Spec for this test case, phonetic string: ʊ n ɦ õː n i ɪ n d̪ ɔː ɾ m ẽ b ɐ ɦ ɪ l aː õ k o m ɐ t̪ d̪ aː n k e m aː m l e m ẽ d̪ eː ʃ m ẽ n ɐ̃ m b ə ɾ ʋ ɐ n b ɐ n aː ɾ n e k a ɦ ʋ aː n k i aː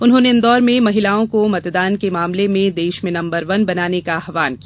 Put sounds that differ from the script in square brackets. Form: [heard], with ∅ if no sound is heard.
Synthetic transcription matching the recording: ʊ n ɦ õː n [e] ɪ n d̪ ɔː ɾ m ẽ [m] ɐ ɦ ɪ l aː õ k o m ɐ t̪ d̪ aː n k e m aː m l e m ẽ d̪ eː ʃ m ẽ n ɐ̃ m b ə ɾ ʋ ɐ n b ɐ n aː [∅] n e k a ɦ ʋ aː n k i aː